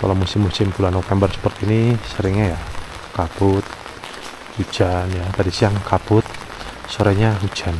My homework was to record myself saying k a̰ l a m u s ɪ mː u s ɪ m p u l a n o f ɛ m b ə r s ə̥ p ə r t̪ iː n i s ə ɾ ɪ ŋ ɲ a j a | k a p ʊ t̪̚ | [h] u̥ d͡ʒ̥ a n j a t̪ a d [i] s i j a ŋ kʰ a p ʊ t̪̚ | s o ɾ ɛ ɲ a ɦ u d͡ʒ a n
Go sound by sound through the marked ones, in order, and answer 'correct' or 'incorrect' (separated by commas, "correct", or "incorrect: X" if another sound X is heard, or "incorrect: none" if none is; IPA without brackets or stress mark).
correct, correct